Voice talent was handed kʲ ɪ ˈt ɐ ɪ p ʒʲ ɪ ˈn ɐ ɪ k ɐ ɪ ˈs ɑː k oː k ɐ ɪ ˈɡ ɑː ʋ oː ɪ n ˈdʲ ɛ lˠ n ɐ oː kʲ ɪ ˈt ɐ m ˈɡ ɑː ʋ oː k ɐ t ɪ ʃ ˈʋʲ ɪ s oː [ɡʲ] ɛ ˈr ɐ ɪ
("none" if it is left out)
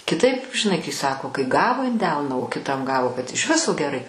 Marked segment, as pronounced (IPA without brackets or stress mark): ɡʲ